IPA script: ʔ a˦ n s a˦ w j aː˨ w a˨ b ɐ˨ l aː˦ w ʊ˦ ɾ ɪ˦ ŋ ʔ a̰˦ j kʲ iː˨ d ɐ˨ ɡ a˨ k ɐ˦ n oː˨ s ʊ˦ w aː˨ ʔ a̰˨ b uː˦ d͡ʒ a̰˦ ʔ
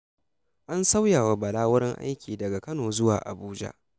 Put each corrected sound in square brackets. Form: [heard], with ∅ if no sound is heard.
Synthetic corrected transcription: ʔ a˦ n s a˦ w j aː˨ w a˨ b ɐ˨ l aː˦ w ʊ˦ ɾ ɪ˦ ŋ ʔ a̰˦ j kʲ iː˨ d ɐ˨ ɡ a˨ k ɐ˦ n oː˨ [z] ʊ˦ w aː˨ ʔ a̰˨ b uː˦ d͡ʒ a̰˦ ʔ